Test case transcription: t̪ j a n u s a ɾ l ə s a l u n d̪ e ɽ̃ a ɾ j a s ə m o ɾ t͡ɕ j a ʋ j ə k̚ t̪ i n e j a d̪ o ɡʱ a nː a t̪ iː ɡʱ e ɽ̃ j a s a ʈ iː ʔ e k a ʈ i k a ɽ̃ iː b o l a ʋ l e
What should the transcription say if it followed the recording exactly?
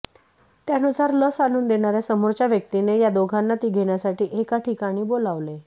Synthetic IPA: t̪ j a n u s a ɾ l ə s a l uː n d̪ e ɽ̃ a ɾ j a s ə m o ɾ t͡ɕ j a ʋ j ə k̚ t̪ i n e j a d̪ o ɡʱ a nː a t̪ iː ɡʱ e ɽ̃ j a s a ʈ iː ʔ e k a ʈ i k a ɽ̃ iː b o l a ʋ l e